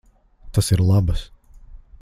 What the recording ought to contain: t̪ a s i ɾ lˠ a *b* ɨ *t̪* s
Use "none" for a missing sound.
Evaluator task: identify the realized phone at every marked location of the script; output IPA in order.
b, none

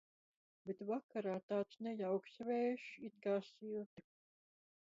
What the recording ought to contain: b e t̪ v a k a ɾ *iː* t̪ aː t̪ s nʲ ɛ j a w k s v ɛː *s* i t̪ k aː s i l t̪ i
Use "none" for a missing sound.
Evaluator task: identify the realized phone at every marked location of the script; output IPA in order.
aː, ʃ

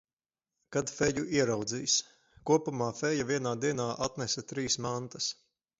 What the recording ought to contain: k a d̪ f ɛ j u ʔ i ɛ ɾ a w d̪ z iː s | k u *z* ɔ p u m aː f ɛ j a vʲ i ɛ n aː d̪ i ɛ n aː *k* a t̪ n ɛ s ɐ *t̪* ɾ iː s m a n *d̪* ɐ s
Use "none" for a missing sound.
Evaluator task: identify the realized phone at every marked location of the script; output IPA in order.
none, ʔ, t̪, t̪

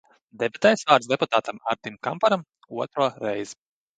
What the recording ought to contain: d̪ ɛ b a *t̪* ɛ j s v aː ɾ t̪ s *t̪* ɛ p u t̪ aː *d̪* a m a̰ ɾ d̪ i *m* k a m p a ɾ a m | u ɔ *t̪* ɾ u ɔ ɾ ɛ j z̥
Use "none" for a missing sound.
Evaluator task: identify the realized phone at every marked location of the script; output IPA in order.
t̪, d̪, t̪, m, t̪

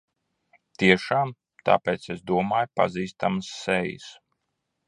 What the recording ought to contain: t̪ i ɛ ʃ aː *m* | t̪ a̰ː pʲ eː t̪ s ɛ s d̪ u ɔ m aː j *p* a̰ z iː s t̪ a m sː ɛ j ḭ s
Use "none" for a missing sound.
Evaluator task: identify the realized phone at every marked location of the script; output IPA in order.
m, p

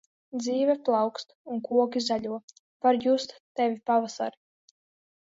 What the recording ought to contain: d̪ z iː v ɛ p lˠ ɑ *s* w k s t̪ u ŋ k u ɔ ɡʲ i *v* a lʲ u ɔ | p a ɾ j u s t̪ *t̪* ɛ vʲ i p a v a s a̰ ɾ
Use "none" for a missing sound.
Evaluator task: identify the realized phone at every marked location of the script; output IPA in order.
none, z, t̪

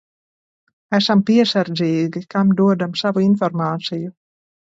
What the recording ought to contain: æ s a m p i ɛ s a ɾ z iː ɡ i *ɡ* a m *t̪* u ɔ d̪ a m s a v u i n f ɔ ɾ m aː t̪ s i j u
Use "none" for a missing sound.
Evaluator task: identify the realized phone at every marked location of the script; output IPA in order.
k, d̪

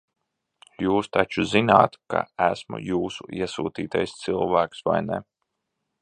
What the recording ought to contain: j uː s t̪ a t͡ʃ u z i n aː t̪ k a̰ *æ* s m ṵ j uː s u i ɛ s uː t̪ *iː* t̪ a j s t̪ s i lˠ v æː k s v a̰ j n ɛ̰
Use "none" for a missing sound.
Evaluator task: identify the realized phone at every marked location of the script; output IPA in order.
æ, iː

